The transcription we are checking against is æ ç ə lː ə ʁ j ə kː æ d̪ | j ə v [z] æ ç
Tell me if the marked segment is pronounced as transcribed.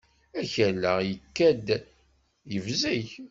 yes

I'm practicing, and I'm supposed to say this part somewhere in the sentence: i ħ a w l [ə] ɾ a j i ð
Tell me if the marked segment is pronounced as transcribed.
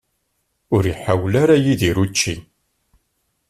no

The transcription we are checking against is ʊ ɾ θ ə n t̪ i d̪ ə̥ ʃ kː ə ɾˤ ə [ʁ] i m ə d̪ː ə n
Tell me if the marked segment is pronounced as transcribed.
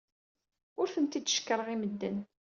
yes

